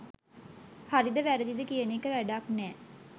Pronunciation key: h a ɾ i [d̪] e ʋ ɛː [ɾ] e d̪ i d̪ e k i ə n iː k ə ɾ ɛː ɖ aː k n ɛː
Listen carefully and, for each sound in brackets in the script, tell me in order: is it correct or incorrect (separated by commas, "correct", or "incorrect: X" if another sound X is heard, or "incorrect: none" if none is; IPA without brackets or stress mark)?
correct, correct